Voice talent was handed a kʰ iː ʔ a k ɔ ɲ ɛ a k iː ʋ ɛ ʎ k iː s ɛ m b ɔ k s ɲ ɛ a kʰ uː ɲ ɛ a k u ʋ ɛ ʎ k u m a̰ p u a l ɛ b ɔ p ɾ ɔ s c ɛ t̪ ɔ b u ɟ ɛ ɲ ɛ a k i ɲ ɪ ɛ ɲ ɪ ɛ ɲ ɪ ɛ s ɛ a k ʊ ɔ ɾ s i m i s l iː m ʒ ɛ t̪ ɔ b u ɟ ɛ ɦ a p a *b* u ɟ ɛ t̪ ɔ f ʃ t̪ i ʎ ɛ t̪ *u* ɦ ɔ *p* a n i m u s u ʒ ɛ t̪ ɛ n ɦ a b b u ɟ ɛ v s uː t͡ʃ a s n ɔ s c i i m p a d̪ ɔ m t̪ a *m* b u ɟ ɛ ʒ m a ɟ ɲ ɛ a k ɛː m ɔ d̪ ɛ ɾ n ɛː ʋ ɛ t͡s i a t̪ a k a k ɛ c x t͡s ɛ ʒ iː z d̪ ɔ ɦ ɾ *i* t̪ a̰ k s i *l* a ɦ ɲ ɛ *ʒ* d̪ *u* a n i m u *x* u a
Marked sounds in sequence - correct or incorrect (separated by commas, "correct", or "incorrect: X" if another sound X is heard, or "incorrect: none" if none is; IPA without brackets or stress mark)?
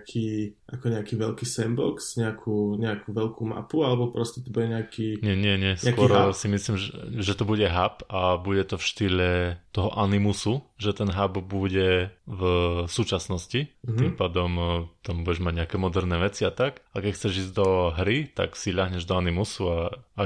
correct, incorrect: ɔ, incorrect: ʔ, correct, correct, incorrect: ʎ, correct, incorrect: ɔ, incorrect: s